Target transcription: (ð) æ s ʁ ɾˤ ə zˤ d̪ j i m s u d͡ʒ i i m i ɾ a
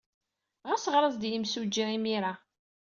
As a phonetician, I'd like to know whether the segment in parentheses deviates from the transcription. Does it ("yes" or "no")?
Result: yes